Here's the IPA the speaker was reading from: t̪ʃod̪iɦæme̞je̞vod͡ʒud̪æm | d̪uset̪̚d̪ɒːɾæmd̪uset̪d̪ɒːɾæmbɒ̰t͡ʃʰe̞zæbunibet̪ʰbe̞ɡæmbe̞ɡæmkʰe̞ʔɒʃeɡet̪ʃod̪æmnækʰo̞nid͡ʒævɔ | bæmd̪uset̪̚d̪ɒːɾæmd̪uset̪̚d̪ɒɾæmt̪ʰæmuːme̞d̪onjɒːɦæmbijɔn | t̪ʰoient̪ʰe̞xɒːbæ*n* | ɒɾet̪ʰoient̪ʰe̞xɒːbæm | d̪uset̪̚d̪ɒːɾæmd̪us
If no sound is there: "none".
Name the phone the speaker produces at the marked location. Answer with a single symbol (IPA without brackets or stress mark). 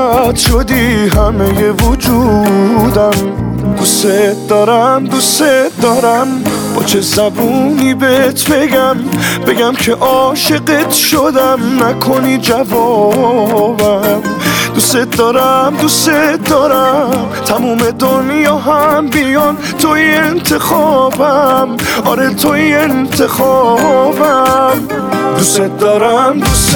m